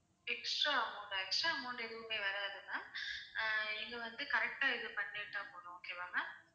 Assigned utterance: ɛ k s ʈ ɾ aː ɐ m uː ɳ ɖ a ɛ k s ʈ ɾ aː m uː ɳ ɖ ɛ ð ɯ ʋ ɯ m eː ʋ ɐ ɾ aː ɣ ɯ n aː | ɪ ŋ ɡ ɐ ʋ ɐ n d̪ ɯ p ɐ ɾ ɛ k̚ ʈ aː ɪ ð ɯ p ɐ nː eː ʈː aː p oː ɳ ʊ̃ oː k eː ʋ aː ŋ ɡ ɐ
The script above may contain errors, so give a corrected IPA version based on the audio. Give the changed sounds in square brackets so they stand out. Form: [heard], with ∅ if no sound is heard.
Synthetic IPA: ɛ k s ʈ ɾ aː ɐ m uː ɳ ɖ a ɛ k s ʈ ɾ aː m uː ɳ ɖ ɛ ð ɯ ʋ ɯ m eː ʋ ɐ ɾ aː [ð] ɯ n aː | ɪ ŋ ɡ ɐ ʋ ɐ n d̪ ɯ [k] ɐ ɾ ɛ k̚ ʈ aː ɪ ð ɯ p ɐ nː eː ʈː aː p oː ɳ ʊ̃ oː k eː ʋ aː ŋ ɡ ɐ